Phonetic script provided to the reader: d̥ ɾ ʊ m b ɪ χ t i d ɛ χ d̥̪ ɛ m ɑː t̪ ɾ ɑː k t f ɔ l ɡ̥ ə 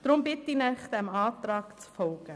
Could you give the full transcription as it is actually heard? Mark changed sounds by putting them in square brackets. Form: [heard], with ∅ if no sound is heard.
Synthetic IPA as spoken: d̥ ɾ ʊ m b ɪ [∅] t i [n] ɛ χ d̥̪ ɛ m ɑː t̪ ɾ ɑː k [t͡s] f ɔ l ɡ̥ ə